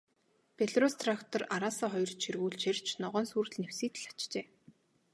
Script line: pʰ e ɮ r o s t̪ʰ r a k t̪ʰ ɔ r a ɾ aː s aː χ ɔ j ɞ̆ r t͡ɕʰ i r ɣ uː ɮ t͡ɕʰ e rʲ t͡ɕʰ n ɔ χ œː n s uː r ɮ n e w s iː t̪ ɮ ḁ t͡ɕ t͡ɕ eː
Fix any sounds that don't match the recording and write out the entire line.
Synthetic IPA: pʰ e ɮ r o s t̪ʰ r a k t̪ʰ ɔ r a ɾ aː s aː χ ɔ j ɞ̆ r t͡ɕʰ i r ɣ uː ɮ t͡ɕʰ e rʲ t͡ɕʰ n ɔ ʁ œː n s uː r ɮ n e w s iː t̪ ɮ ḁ t͡ɕ t͡ɕ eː